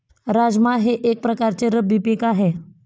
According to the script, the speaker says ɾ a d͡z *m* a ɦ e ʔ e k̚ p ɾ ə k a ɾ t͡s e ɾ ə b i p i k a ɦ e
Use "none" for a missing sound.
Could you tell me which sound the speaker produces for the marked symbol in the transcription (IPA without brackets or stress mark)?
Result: m